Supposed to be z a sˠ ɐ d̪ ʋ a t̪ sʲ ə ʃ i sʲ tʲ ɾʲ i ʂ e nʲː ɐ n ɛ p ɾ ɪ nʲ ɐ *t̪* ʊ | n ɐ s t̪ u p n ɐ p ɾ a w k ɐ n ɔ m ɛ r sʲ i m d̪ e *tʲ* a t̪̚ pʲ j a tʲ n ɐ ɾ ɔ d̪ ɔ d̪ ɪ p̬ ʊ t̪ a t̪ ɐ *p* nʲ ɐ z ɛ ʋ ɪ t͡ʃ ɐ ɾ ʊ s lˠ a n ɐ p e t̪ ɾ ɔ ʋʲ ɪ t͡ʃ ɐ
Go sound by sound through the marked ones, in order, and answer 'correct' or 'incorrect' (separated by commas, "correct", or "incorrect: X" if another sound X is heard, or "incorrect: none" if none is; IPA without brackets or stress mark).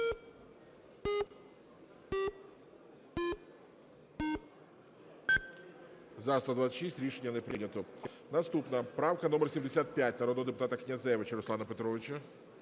correct, incorrect: sʲ, incorrect: k